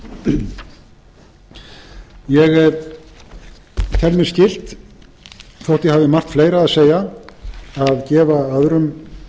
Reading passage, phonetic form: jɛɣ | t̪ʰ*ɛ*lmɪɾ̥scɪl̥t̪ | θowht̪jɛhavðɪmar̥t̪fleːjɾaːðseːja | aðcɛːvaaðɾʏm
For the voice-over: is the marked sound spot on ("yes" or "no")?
yes